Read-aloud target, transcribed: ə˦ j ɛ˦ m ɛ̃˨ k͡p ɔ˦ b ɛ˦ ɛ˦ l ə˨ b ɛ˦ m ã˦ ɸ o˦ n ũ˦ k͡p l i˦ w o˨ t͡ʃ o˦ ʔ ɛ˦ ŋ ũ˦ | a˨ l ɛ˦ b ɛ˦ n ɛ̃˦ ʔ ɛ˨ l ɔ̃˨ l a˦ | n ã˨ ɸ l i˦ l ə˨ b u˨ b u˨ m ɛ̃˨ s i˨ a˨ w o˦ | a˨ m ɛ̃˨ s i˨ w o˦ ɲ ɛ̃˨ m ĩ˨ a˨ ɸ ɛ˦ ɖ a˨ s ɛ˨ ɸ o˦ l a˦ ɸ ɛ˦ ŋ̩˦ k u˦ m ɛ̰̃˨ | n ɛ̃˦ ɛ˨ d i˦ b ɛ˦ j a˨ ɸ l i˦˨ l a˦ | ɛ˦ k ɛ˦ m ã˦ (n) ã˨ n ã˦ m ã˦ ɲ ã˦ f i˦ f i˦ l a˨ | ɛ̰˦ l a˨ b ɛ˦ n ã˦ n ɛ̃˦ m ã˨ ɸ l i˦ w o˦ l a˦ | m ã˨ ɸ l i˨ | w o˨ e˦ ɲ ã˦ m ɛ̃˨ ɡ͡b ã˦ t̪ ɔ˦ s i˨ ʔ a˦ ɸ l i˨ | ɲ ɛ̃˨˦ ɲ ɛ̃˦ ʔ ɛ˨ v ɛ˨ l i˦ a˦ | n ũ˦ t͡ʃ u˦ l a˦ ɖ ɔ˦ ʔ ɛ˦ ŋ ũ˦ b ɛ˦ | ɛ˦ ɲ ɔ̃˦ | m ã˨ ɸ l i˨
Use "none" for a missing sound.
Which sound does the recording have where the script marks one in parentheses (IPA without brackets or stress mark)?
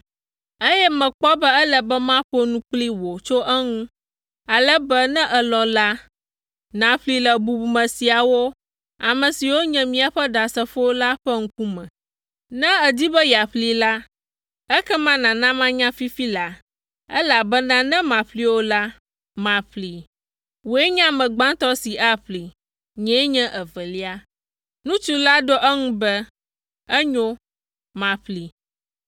n